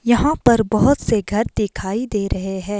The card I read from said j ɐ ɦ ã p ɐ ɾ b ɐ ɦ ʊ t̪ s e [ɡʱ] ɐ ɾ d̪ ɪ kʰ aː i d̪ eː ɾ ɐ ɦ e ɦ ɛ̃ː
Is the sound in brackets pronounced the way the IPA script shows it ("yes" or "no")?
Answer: yes